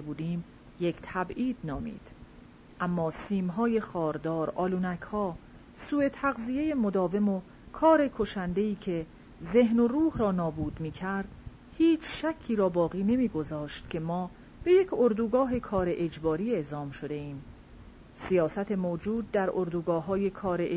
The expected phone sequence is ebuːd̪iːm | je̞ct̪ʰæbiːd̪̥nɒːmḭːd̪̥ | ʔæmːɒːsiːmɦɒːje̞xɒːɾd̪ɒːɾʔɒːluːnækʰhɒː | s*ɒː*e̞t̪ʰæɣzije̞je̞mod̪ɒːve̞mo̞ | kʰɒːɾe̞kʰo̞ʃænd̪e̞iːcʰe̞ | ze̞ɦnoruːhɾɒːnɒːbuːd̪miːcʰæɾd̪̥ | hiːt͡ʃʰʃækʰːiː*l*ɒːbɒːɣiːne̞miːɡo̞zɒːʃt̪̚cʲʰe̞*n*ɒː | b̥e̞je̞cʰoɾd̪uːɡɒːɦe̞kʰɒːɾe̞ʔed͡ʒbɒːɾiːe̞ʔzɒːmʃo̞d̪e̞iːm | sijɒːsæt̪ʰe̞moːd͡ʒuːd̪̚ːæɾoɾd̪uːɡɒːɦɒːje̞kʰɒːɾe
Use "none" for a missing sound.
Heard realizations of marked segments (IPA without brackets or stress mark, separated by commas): uː, ɾ, m